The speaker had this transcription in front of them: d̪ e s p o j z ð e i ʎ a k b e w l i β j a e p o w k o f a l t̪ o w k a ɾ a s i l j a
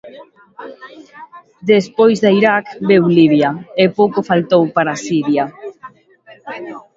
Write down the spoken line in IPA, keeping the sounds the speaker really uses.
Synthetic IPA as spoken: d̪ e s p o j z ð a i ɾ a k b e w l i β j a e p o w k o f a l t̪ o w p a ɾ a s i ɾ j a